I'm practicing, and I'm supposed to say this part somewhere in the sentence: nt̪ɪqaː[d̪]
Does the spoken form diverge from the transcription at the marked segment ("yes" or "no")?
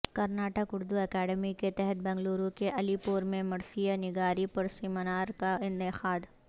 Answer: no